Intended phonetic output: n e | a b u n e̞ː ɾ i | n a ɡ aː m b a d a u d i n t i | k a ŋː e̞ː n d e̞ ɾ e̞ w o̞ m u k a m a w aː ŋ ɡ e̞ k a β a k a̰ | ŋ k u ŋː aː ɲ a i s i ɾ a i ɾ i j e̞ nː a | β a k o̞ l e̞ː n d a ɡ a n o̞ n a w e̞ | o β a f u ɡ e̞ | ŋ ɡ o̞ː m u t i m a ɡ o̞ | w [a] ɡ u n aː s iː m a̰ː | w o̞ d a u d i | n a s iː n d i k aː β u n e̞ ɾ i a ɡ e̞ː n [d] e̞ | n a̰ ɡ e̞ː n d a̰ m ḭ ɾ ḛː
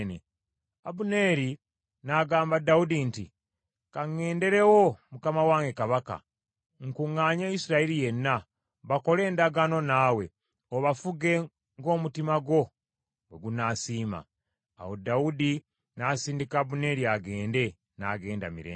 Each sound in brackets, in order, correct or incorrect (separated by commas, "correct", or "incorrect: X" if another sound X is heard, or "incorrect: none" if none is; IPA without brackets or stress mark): incorrect: e, correct